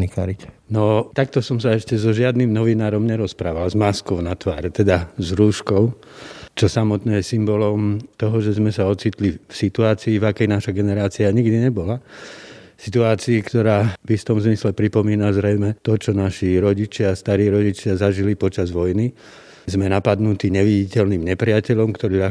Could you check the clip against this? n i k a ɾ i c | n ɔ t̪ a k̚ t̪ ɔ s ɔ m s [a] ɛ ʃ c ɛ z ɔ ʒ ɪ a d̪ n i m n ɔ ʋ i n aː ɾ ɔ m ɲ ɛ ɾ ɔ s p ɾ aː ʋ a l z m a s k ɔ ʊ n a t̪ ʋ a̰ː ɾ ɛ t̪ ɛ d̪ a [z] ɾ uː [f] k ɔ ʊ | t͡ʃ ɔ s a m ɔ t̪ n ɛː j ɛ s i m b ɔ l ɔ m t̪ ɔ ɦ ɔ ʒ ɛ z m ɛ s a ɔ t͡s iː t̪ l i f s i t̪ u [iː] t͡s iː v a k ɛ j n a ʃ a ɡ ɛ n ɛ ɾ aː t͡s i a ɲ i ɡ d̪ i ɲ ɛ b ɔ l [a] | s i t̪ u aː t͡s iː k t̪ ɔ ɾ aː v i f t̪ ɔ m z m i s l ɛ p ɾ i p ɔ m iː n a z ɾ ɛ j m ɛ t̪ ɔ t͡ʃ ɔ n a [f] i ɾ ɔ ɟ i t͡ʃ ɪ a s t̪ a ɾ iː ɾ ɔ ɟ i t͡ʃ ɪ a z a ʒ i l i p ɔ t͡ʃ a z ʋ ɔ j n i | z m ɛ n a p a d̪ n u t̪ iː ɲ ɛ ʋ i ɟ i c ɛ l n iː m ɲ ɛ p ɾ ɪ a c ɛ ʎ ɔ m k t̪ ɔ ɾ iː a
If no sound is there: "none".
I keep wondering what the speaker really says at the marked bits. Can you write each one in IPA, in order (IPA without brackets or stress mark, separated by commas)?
a, z, ʃ, aː, a, ʃ